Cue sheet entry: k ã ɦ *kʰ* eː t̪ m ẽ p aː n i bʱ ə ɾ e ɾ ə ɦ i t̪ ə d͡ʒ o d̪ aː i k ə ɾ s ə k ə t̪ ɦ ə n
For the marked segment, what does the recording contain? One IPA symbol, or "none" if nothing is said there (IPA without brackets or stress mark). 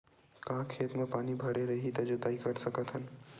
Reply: kʰ